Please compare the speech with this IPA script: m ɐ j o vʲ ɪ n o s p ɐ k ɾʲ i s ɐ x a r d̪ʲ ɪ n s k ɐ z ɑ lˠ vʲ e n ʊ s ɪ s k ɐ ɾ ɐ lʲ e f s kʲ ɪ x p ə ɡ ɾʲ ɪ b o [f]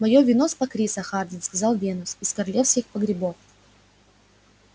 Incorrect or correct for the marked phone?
correct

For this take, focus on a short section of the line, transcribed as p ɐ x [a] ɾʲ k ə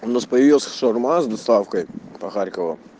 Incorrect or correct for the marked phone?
correct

